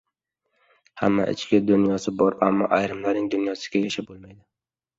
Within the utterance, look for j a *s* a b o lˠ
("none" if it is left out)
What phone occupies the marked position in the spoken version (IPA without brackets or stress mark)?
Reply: ʃ